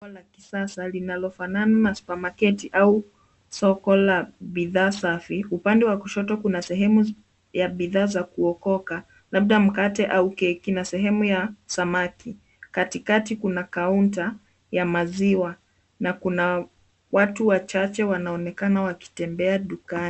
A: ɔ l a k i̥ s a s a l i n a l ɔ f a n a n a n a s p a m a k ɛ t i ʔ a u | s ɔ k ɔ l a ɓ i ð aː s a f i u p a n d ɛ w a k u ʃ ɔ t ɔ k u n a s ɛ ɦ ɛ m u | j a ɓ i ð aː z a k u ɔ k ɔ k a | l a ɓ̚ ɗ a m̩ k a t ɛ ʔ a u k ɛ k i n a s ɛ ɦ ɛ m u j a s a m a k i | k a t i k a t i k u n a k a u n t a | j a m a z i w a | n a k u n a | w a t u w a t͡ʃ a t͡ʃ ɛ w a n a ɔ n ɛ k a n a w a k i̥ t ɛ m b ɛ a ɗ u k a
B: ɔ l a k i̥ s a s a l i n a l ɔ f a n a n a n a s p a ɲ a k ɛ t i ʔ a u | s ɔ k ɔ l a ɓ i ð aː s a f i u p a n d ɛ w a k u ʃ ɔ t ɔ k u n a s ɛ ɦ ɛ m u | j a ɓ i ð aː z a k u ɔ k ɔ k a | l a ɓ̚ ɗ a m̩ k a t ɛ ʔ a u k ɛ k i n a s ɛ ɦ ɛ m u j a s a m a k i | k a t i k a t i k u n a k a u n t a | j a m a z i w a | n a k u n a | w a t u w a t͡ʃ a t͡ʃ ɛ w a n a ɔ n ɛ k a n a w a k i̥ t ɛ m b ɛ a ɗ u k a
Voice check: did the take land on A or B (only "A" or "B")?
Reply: A